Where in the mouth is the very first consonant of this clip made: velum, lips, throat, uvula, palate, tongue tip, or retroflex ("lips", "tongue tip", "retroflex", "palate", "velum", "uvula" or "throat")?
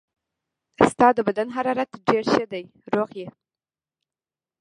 tongue tip